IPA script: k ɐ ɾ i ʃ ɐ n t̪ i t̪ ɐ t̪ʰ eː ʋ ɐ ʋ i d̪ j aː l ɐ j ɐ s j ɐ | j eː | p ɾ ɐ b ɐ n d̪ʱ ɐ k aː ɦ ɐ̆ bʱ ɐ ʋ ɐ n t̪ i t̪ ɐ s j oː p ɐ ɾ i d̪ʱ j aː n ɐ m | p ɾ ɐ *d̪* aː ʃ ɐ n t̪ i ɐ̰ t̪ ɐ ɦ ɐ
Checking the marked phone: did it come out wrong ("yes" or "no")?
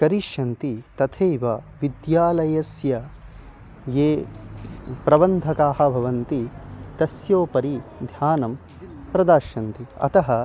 no